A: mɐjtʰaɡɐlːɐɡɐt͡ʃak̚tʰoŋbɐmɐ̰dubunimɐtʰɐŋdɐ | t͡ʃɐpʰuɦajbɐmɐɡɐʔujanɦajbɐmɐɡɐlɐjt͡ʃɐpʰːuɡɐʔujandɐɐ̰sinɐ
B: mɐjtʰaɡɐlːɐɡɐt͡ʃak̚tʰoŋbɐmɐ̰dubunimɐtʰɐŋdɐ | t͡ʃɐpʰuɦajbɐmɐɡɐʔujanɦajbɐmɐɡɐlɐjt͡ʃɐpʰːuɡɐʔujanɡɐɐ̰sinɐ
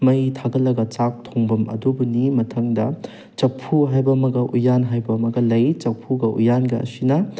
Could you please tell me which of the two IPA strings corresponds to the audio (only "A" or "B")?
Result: B